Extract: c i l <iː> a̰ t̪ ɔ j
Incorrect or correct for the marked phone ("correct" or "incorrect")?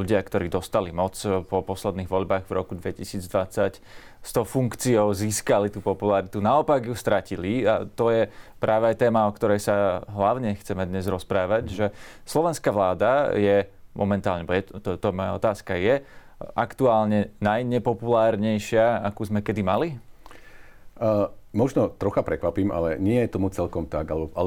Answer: incorrect